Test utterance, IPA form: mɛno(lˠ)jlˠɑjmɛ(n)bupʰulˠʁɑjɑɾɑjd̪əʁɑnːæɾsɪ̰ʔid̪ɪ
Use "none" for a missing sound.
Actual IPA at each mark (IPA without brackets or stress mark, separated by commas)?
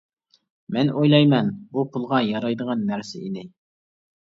none, n